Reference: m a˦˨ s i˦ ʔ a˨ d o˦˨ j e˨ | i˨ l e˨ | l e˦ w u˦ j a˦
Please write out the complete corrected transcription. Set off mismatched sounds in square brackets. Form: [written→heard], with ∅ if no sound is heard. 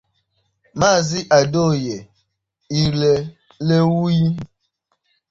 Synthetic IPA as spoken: m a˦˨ [s→z] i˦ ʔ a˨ d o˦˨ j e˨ | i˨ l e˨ | l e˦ w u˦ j [a˦→i˦]